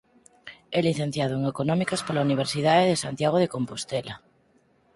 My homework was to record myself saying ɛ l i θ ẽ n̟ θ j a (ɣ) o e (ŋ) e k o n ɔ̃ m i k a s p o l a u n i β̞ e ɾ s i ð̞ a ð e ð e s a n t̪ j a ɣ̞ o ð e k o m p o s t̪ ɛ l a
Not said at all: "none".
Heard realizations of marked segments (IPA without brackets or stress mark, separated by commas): ð, ŋ